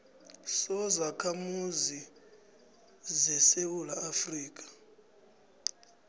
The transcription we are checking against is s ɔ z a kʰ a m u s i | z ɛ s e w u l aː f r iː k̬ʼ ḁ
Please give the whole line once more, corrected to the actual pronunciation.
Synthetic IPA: s ɔ z a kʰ a m u z i | z ɛ s e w u l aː f r iː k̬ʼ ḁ